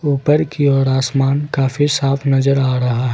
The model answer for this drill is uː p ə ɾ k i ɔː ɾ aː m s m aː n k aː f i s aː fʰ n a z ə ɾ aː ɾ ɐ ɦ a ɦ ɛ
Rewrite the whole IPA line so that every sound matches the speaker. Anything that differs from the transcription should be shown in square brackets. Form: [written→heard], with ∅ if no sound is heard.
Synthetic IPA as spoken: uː p ə ɾ k i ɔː ɾ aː [m→∅] s m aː n k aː f i s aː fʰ n [a→ɐ] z ə ɾ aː ɾ ɐ ɦ a ɦ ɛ